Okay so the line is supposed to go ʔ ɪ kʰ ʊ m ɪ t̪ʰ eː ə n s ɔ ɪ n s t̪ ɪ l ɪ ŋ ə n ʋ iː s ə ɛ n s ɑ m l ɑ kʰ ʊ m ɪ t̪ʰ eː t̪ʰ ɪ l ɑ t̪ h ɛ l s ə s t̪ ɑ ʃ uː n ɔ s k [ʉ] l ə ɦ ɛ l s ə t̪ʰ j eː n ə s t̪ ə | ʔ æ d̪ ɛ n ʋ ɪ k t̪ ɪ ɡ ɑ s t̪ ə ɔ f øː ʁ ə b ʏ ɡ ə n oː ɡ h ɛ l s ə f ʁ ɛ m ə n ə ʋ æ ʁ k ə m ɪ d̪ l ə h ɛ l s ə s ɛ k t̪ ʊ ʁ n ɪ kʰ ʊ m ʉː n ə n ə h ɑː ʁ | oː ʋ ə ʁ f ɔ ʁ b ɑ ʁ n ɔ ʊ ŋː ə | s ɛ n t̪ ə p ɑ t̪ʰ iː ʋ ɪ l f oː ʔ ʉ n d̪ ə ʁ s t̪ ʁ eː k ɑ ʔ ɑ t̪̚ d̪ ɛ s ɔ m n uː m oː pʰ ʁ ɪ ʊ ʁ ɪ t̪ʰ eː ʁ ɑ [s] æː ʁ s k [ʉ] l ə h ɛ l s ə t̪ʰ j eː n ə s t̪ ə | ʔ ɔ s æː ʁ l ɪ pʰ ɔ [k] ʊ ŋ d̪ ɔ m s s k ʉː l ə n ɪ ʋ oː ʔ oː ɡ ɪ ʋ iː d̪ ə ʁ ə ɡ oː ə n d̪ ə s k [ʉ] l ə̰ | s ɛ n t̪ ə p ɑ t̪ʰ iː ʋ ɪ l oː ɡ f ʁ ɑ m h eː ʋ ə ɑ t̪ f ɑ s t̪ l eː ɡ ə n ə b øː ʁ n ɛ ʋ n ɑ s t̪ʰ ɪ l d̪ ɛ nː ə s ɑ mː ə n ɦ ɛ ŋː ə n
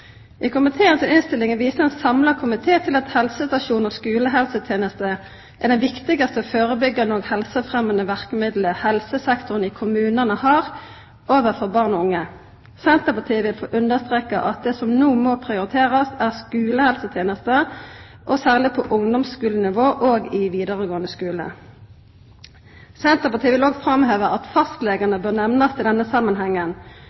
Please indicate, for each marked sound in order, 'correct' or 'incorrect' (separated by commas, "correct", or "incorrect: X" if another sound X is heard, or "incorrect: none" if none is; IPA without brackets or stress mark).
incorrect: ʉː, correct, incorrect: ʉː, incorrect: ʔ, incorrect: ʉː